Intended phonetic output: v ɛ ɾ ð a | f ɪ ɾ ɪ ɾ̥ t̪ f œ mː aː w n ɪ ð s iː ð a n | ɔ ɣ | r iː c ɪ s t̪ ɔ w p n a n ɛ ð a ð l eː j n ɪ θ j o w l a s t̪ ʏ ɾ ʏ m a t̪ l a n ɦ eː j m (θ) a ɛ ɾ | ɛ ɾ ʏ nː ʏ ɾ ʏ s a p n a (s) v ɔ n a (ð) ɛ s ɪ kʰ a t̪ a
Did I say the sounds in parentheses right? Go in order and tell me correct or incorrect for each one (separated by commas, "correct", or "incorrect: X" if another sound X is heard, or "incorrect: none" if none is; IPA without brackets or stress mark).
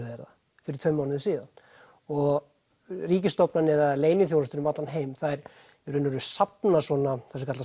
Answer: correct, correct, incorrect: θ